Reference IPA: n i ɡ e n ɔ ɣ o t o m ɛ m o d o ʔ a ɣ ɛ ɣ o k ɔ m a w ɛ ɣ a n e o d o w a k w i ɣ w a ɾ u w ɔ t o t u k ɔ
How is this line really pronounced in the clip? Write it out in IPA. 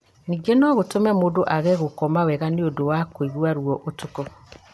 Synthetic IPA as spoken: n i ɡ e n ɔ ɣ o t o m ɛ m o d o ʔ a ɣ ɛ ɣ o k ɔ m a w ɛ ɣ a n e o d o w a k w i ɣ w a ɾ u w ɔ ʔ o t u k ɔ